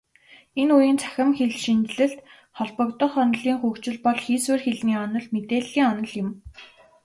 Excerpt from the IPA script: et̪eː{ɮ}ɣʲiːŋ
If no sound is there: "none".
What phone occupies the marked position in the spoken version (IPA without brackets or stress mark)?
ɮ